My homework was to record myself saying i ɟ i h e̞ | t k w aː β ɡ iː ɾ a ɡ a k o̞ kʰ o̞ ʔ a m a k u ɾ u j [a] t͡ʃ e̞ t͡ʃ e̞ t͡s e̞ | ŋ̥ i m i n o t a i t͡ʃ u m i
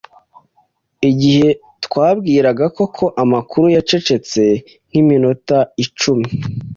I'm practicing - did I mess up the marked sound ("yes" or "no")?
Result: no